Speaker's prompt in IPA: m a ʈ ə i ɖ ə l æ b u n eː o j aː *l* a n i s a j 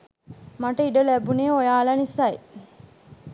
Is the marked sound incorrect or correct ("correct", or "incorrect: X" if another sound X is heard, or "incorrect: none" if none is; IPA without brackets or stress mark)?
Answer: correct